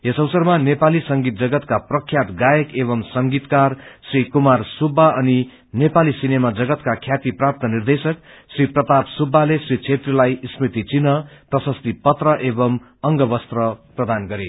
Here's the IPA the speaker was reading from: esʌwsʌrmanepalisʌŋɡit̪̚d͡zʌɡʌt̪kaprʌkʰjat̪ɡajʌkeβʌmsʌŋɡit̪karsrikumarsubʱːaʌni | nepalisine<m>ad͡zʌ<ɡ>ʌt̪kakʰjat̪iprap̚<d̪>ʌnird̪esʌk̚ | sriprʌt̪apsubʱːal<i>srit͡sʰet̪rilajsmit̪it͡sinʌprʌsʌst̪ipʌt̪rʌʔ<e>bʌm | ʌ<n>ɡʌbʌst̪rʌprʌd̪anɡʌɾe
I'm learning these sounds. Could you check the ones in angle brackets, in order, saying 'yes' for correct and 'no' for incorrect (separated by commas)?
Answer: yes, yes, no, no, yes, no